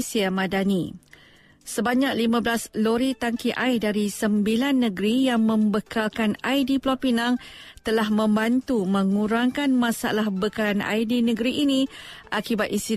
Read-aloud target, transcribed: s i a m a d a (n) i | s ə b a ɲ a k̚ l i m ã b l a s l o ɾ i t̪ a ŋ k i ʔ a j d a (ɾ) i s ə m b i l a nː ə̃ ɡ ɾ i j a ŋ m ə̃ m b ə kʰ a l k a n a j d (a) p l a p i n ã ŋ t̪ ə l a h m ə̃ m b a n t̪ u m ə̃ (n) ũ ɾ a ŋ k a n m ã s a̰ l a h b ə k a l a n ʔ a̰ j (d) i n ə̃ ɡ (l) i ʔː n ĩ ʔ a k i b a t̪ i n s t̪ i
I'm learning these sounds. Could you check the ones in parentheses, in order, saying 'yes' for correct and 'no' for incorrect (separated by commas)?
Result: yes, yes, no, no, yes, no